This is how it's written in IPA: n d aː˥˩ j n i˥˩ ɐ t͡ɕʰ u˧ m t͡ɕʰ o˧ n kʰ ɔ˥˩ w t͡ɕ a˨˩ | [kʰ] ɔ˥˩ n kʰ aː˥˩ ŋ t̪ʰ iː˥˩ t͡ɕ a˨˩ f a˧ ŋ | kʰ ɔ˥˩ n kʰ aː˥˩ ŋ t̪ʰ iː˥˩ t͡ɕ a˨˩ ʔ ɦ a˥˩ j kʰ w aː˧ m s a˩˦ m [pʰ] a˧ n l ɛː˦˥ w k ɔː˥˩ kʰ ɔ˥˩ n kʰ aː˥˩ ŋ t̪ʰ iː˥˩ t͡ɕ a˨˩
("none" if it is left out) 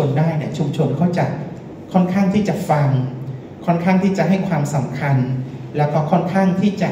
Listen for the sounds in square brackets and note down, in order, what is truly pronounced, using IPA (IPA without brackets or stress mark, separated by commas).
kʰ, kʰ